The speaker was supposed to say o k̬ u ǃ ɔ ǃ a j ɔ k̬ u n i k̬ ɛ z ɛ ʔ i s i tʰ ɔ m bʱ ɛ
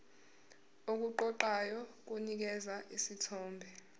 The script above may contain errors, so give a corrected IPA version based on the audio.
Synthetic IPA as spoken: o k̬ u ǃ ɔ ǃ a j ɔ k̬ u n i k̬ ɛ z a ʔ i s i tʰ ɔː m bʱ ɛ